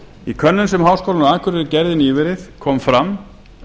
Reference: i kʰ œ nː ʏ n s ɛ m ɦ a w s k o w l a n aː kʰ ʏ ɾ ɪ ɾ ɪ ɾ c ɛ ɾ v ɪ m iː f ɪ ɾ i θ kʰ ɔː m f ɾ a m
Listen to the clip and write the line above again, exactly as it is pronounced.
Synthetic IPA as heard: i kʰ œ nː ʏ n s ɛ m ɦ a w s k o w l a n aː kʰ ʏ ɾ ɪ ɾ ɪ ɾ c ɛ ɾ ð ɪ n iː v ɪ ɾ ɪ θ kʰ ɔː m f ɾ a m